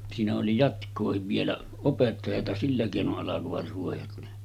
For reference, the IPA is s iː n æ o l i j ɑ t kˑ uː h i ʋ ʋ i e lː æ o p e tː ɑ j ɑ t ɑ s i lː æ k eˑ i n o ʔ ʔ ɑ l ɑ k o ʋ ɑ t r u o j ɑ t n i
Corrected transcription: s iː n æ o l i j ɑ t kˑ oː h i ʋ ʋ i e l æ o p e tː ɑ j ɑ t ɑ s i lː æ k eˑ i n o ʔ ʔ ɑ l ɑ k o ʋ ɑ t r u o j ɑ t n e